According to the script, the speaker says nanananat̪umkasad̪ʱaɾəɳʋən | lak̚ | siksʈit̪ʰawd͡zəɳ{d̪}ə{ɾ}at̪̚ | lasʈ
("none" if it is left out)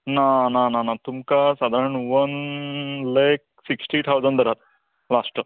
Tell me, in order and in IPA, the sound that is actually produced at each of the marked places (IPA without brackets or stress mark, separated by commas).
d̪, ɾ